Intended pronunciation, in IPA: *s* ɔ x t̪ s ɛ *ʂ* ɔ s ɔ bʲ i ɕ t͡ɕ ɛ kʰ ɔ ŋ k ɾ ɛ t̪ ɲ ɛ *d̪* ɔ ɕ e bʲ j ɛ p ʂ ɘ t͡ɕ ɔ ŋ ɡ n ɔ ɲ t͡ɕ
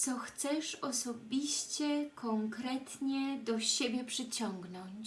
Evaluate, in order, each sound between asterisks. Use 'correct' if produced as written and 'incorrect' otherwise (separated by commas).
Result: correct, correct, correct